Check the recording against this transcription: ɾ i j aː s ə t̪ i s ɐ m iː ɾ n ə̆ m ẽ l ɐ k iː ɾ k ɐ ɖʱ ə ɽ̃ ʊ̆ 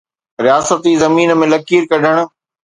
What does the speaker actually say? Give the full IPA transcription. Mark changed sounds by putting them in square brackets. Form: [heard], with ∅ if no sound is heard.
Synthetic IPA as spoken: ɾ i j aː s ə t̪ i [z] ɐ m iː [∅] n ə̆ m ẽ l ɐ k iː ɾ k ɐ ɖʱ ə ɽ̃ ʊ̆

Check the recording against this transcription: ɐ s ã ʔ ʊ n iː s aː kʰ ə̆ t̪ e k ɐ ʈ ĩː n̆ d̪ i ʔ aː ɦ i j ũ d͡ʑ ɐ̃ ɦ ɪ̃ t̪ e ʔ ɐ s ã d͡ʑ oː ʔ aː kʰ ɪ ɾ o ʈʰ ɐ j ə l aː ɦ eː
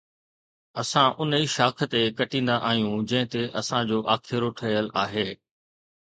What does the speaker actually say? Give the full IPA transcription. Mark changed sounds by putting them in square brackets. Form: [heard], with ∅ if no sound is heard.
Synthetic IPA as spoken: ɐ s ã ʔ ʊ n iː [ʃ] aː kʰ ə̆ t̪ e k ɐ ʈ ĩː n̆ d̪ [a] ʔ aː ɦ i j ũ d͡ʑ ɐ̃ ɦ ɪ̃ t̪ e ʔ ɐ s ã d͡ʑ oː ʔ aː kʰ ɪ ɾ o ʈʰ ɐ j ə l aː ɦ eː

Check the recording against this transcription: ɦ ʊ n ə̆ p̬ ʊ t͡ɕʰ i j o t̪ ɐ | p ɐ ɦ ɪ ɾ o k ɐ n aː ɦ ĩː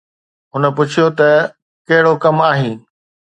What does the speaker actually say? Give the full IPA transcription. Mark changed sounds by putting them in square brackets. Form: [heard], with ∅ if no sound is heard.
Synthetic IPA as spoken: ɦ ʊ n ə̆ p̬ ʊ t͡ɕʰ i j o t̪ ɐ | [k] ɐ ɦ ɪ [ɽ] o k ɐ [m] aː ɦ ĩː

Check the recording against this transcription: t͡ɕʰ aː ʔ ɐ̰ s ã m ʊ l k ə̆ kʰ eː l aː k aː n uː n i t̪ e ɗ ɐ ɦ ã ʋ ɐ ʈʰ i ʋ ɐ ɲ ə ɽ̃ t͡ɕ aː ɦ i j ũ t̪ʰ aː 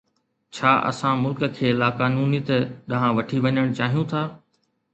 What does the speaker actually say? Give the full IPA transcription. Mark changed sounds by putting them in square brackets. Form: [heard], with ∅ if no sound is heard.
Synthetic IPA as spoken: t͡ɕʰ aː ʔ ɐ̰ s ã m ʊ l k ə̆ kʰ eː l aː k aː n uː n i t̪ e ɗ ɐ ɦ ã ʋ ɐ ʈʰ i ʋ ɐ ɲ ə ɽ̃ t͡ɕ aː ɦ i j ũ t̪ʰ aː

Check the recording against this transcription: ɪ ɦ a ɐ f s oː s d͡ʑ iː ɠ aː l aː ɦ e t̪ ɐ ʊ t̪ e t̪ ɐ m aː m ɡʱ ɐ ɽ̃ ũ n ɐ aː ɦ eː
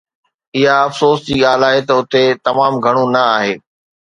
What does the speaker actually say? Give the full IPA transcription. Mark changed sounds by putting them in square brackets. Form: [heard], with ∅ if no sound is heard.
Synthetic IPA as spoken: ɪ ɦ a ɐ f s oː s d͡ʑ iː ɠ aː l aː ɦ e t̪ ɐ ʊ t̪ e t̪ ɐ m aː m ɡʱ ɐ ɽ̃ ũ n ɐ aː ɦ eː

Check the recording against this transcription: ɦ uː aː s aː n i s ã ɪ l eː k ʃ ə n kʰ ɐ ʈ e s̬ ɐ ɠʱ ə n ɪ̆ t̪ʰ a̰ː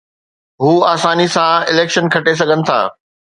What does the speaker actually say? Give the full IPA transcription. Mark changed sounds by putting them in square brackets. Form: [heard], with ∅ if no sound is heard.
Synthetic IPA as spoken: ɦ uː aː s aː n i s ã ɪ l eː k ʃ ə n kʰ ɐ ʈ e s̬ ɐ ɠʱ ə n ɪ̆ t̪ʰ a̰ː

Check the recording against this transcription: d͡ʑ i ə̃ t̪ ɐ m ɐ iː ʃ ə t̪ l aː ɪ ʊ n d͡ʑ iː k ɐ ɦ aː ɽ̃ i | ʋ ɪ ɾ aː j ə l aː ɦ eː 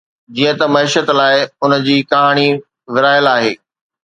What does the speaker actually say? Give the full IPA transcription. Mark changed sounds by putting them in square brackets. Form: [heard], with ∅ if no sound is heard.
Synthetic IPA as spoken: d͡ʑ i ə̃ t̪ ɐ m ɐ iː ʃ ə t̪ l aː ɪ ʊ n d͡ʑ iː k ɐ ɦ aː ɽ̃ i | ʋ ɪ ɾ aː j ə l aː ɦ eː

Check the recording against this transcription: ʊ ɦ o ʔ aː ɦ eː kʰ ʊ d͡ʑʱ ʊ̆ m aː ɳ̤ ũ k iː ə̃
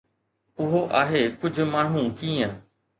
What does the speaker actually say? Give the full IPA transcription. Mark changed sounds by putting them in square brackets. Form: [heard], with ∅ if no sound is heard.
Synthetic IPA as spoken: ʊ ɦ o ʔ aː ɦ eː [k] ʊ d͡ʑʱ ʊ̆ m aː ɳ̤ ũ k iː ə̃

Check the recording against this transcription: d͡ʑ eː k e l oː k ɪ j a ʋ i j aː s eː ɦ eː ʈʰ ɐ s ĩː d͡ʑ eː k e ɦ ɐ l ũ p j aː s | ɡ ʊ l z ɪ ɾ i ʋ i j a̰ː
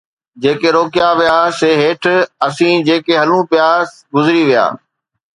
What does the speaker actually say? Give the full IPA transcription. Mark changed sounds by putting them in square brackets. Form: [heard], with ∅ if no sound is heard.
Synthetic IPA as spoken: d͡ʑ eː k e [ɾ] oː k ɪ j a ʋ i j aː s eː ɦ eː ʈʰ ɐ s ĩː d͡ʑ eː k e ɦ ɐ l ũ p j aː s | ɡ ʊ [∅] z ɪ ɾ i ʋ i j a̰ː

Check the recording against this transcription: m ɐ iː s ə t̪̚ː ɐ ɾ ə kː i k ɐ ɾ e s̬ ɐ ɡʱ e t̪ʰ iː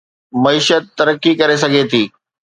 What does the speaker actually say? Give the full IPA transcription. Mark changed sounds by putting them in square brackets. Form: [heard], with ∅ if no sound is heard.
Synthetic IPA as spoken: m ɐ iː [ʃ] ə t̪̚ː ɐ ɾ ə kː i k ɐ ɾ e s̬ ɐ ɡʱ e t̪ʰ iː

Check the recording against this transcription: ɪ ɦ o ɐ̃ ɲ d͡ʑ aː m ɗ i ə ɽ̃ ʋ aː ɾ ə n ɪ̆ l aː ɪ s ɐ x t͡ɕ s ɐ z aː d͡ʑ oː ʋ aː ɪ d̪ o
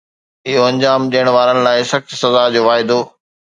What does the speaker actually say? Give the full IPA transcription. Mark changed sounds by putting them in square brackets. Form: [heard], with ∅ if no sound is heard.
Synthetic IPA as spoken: ɪ ɦ o ɐ̃ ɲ d͡ʑ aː m ɗ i ə ɽ̃ ʋ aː ɾ ə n ɪ̆ l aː ɪ s ɐ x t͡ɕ s ɐ z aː d͡ʑ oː ʋ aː ɪ d̪ o

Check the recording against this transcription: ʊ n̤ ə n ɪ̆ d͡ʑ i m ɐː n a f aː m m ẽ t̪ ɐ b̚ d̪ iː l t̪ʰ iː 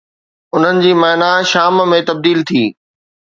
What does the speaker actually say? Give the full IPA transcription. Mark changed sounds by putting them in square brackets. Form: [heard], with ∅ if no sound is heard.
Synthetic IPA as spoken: ʊ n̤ ə n ɪ̆ d͡ʑ [iː] m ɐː n a [ʃ] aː m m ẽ t̪ ɐ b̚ d̪ iː l t̪ʰ iː

